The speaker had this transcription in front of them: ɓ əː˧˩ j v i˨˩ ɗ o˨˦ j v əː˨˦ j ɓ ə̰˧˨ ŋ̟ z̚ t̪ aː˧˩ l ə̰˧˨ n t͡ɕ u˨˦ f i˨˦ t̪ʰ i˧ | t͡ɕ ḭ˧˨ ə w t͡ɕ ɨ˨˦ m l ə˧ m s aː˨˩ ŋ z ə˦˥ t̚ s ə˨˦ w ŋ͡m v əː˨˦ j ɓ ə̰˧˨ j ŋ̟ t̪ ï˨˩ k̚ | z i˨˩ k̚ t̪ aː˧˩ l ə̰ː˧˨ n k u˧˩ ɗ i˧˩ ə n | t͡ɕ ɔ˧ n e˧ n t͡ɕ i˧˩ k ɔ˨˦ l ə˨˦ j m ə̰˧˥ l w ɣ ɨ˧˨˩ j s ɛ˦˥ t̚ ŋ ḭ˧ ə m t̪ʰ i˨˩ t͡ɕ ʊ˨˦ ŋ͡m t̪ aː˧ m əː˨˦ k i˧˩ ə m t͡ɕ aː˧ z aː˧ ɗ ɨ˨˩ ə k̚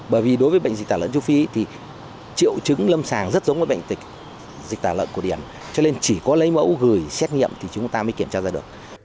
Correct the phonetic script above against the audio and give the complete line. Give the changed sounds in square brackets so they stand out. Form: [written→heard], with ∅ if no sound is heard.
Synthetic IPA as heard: ɓ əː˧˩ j v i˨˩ ɗ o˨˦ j v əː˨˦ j ɓ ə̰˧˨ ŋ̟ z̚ t̪ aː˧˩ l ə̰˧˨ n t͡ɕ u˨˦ f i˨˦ t̪ʰ [i˧→i˨˩] | t͡ɕ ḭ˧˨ ə w t͡ɕ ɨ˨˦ [m→ŋ] l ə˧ m s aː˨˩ ŋ z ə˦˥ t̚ [s→z] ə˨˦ w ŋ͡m v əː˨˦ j ɓ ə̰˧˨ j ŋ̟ t̪ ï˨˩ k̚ | z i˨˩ k̚ t̪ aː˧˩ l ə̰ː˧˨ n k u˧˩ ɗ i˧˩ ə n | t͡ɕ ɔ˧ n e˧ n t͡ɕ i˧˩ k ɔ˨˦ l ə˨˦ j m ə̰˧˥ [l→∅] w ɣ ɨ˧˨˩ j s ɛ˦˥ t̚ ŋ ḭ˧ ə m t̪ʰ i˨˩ t͡ɕ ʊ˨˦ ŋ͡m t̪ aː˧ m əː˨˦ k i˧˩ ə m t͡ɕ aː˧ z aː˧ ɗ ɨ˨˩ ə k̚

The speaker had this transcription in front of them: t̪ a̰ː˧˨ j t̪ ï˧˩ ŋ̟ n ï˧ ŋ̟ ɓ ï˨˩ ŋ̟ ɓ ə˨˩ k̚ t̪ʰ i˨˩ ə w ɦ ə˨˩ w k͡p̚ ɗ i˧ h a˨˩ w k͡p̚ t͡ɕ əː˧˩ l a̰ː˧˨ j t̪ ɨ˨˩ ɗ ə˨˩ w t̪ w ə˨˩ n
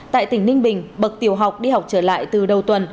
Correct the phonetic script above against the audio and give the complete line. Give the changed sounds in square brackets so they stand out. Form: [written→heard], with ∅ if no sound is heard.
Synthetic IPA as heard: t̪ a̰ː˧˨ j t̪ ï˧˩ ŋ̟ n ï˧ ŋ̟ ɓ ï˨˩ ŋ̟ ɓ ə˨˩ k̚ [t̪ʰ→t̪] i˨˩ ə w ɦ [ə˨˩→a˨˩] w k͡p̚ ɗ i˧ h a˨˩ w k͡p̚ t͡ɕ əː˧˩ l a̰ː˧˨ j t̪ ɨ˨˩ ɗ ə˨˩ w t̪ w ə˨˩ n

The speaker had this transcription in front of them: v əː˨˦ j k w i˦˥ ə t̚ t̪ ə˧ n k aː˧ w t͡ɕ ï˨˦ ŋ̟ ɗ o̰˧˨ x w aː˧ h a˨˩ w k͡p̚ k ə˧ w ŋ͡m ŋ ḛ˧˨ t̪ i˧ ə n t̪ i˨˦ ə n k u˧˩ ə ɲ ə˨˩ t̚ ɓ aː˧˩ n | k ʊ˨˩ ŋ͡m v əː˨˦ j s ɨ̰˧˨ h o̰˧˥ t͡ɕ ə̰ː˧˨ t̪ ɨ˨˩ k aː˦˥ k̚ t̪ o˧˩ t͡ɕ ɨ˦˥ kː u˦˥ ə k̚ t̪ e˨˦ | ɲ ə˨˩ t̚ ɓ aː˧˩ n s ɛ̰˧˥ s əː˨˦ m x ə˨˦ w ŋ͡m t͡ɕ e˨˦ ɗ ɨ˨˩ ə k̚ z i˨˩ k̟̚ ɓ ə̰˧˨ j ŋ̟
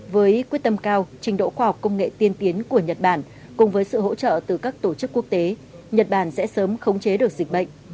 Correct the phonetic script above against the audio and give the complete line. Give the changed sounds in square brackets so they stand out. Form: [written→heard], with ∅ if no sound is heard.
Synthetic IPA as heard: v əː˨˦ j k w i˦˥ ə t̚ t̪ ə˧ [n→m] k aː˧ w t͡ɕ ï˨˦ ŋ̟ ɗ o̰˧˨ x w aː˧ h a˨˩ w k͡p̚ k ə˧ w ŋ͡m ŋ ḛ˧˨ t̪ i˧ ə n t̪ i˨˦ ə n k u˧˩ ə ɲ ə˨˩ t̚ ɓ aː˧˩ n | k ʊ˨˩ ŋ͡m v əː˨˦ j s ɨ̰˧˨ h o̰˧˥ t͡ɕ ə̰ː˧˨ t̪ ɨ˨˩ k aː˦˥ k̚ t̪ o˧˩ t͡ɕ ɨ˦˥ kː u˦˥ ə k̚ t̪ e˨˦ | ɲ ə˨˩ t̚ ɓ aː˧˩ n s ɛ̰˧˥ s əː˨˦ m x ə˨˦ w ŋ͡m t͡ɕ e˨˦ ɗ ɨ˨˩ ə k̚ z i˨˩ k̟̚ ɓ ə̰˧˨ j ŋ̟

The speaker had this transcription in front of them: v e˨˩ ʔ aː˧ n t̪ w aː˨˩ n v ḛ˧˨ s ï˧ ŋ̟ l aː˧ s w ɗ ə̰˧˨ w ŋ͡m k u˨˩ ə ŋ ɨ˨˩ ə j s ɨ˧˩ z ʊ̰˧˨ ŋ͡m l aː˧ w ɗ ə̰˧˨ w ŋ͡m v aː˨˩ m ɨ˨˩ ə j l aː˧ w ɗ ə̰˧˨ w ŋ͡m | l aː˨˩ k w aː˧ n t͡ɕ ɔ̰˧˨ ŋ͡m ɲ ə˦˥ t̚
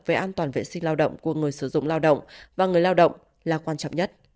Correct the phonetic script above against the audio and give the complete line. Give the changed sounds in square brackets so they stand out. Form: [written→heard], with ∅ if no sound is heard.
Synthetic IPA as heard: v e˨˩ ʔ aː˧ n t̪ w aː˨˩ n v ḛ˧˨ s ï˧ ŋ̟ l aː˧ [s→∅] w ɗ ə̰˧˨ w ŋ͡m k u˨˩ ə ŋ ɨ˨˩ ə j s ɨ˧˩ z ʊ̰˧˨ ŋ͡m l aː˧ w ɗ ə̰˧˨ w ŋ͡m v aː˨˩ [m→ŋ] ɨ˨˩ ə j l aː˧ w ɗ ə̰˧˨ w ŋ͡m | l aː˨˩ k w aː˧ n t͡ɕ ɔ̰˧˨ ŋ͡m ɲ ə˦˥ t̚

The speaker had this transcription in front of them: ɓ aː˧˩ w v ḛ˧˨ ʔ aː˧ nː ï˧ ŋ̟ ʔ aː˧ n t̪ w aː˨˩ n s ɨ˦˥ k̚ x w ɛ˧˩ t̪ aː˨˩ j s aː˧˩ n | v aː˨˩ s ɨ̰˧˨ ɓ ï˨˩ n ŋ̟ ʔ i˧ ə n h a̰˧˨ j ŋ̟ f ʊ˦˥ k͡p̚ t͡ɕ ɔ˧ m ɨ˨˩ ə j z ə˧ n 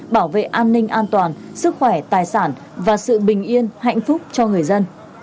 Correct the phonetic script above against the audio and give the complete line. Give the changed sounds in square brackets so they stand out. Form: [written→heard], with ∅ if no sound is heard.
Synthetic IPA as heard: ɓ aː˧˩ w v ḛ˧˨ ʔ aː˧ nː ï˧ ŋ̟ ʔ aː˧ n t̪ w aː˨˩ n s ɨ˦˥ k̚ x w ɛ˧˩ t̪ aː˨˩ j s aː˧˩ n | v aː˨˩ s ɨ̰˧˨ ɓ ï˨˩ [n→∅] ŋ̟ ʔ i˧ ə n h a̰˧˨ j ŋ̟ f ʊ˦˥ k͡p̚ t͡ɕ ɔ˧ [m→ŋ] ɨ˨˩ ə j z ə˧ n

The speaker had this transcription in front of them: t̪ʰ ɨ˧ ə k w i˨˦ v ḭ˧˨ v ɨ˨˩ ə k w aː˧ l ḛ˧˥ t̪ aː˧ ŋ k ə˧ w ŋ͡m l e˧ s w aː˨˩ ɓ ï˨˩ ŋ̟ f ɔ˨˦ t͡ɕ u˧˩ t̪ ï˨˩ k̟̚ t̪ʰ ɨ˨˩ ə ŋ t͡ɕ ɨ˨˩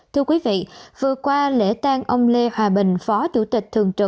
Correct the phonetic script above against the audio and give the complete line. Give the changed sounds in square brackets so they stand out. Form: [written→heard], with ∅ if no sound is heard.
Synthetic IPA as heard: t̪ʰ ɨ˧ ə k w i˨˦ v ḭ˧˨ v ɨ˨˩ ə k w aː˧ l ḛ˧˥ t̪ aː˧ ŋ [k→ʔ] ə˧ w ŋ͡m l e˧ [s→h] w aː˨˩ ɓ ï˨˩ ŋ̟ f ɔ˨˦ t͡ɕ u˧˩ t̪ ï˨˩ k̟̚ t̪ʰ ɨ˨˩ ə ŋ t͡ɕ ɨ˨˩

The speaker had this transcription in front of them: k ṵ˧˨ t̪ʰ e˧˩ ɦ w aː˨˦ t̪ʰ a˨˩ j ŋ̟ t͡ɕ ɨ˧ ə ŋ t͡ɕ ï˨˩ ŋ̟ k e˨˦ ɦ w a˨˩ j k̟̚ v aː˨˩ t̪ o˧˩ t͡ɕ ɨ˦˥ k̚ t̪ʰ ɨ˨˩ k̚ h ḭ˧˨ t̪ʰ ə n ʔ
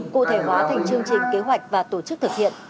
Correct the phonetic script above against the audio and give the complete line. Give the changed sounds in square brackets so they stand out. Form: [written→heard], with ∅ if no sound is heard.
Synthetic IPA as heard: k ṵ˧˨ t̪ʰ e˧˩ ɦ w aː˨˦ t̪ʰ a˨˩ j ŋ̟ t͡ɕ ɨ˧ ə ŋ t͡ɕ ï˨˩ ŋ̟ k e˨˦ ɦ w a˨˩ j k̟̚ v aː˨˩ t̪ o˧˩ t͡ɕ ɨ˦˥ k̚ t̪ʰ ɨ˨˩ k̚ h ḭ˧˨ [t̪ʰ→∅] ə n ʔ

